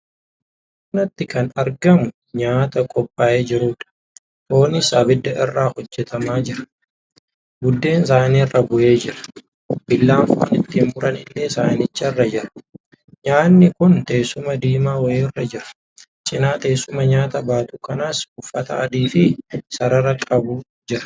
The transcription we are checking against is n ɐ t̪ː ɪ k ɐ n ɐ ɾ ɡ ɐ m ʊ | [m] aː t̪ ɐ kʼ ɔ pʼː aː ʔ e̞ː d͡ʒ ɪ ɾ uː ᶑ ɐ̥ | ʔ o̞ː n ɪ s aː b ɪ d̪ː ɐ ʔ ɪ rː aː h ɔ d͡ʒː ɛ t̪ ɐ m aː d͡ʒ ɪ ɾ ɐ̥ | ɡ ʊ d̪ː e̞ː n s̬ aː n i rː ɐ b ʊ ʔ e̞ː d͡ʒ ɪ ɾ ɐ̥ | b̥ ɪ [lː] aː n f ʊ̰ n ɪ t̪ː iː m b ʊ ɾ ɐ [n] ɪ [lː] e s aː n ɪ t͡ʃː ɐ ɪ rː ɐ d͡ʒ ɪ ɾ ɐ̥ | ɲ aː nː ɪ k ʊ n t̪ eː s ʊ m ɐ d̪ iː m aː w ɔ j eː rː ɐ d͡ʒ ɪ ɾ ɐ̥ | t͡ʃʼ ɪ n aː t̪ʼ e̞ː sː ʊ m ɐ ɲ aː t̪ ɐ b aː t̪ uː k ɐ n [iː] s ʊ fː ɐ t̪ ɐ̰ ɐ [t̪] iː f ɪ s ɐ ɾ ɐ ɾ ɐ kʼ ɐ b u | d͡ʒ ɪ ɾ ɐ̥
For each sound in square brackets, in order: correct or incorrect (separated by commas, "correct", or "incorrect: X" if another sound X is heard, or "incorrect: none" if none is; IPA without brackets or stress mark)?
incorrect: ɲ, correct, correct, correct, incorrect: aː, incorrect: d̪